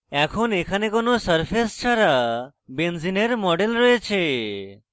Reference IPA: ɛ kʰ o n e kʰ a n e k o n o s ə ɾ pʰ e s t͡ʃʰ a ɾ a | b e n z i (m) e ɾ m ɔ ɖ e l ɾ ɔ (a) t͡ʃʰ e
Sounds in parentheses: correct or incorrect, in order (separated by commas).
incorrect, incorrect